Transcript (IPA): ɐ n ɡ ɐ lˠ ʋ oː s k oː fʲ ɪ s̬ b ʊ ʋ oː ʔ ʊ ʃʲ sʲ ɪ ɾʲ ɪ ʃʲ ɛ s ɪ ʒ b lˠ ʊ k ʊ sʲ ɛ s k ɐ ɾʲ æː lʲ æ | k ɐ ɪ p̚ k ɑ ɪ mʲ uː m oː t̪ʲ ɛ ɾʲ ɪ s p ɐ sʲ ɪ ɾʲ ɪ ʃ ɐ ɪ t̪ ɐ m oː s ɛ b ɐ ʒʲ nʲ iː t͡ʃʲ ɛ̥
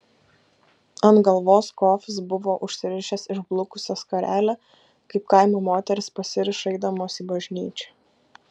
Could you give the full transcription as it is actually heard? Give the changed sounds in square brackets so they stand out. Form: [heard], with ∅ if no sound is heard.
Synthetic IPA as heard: ɐ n ɡ ɐ lˠ ʋ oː s k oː fʲ ɪ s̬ b ʊ ʋ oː ʔ ʊ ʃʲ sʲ ɪ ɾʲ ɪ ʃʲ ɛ s ɪ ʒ b lˠ ʊ k ʊ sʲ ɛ s k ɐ ɾʲ æː lʲ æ | k ɐ ɪ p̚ k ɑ ɪ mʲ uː m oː t̪ʲ ɛ ɾʲ ɪ s p ɐ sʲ ɪ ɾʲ ɪ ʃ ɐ ɪ [d̪] ɐ m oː s [i] b ɐ ʒʲ nʲ iː t͡ʃʲ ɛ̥